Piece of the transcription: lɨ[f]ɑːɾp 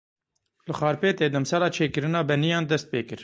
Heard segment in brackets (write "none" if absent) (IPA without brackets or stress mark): x